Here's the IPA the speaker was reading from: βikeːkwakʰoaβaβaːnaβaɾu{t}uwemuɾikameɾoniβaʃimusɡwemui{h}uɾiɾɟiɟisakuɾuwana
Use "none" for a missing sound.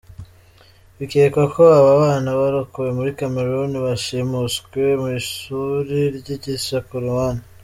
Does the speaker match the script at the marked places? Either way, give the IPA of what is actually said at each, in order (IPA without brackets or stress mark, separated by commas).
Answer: k, ʃ